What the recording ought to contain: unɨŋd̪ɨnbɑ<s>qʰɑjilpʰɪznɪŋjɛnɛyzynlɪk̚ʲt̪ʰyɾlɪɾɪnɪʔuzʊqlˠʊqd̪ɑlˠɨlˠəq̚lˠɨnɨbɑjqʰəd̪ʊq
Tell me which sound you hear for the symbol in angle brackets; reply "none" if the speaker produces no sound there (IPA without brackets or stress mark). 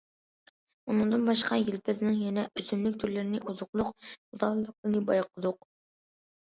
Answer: ʃ